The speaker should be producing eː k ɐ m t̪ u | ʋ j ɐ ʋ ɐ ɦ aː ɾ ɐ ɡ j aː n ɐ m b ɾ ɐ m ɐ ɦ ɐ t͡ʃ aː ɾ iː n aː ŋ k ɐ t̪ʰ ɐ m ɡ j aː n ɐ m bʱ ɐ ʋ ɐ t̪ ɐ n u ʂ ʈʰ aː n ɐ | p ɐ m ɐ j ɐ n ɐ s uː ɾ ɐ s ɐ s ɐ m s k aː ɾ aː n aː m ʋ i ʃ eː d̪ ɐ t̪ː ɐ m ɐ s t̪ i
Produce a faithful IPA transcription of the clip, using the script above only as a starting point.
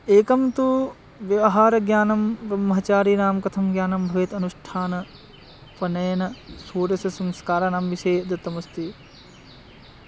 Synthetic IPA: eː k ɐ m t̪ u | ʋ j ɐ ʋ ɐ ɦ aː ɾ ɐ ɡ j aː n ɐ m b ɾ ɐ m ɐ ɦ ɐ t͡ʃ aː ɾ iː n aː m k ɐ t̪ʰ ɐ m ɡ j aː n ɐ m bʱ ɐ ʋ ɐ t̪ ɐ n u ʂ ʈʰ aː n ɐ | p ɐ n ɐ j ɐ n ɐ s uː ɾ ɐ s ɐ s ɐ m s k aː ɾ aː n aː m ʋ i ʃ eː d̪ ɐ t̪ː ɐ m ɐ s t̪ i